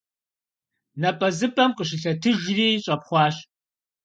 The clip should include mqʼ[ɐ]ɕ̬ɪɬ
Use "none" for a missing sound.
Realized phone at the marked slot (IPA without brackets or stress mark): ə